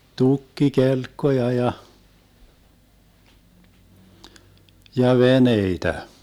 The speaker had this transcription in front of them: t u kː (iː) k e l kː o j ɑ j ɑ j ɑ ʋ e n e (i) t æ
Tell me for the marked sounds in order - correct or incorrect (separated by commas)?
incorrect, correct